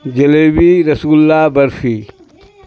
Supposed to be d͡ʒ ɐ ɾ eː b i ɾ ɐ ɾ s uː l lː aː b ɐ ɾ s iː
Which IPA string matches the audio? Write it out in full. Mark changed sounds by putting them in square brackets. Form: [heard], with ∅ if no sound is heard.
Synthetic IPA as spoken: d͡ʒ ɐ [l] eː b i ɾ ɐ [∅] s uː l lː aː b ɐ ɾ [f] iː